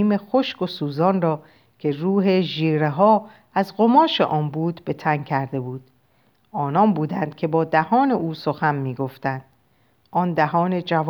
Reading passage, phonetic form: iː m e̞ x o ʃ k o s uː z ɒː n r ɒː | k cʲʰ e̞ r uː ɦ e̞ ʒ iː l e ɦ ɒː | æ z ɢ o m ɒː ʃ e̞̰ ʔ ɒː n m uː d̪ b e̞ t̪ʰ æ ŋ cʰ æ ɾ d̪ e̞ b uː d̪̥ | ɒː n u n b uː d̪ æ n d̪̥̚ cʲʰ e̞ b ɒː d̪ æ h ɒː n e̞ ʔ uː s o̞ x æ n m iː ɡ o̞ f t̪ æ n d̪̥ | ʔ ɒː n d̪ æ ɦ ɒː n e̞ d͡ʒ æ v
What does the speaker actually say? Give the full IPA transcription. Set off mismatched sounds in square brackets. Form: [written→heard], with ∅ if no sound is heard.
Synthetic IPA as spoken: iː m e̞ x o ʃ k o s uː z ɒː n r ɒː | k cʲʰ e̞ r uː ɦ e̞ ʒ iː [l→ɾ] e ɦ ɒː | æ z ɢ o m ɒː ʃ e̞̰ ʔ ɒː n [m→b] uː d̪ b e̞ t̪ʰ æ ŋ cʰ æ ɾ d̪ e̞ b uː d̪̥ | ɒː n [u→ɒ] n b uː d̪ æ n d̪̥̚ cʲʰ e̞ b ɒː d̪ æ h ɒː n e̞ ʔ uː s o̞ x æ n m iː ɡ o̞ f t̪ æ n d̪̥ | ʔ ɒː n d̪ æ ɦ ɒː n e̞ d͡ʒ æ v